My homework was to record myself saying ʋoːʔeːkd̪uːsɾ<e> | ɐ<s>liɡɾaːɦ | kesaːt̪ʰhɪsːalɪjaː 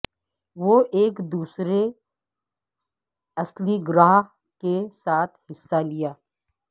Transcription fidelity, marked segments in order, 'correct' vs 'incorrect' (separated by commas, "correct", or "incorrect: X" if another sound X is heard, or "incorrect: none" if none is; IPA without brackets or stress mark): correct, correct